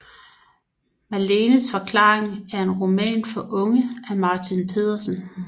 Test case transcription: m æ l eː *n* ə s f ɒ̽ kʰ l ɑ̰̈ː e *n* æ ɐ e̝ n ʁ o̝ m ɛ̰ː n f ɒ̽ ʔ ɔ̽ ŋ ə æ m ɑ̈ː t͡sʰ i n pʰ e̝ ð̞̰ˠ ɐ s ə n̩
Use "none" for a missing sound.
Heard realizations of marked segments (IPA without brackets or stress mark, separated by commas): n, ŋ